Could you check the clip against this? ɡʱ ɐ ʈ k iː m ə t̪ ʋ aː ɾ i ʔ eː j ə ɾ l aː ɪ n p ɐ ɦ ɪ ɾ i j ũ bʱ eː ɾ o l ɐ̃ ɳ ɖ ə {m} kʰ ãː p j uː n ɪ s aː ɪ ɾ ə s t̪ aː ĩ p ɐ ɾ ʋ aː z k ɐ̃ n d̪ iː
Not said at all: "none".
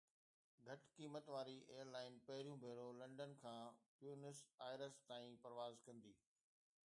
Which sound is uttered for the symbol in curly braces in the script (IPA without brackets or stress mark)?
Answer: n